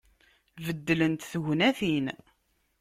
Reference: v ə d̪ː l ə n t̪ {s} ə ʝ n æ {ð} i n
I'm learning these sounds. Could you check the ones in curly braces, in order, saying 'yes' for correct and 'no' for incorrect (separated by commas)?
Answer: no, no